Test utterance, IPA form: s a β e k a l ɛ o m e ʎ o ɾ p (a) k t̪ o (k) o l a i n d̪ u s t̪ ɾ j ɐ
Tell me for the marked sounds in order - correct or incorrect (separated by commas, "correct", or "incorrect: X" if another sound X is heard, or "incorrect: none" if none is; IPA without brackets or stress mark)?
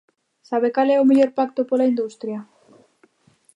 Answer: correct, incorrect: p